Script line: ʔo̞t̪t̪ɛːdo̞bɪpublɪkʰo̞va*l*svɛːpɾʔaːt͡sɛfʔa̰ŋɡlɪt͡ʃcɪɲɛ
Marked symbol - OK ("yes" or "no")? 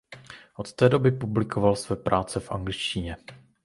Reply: yes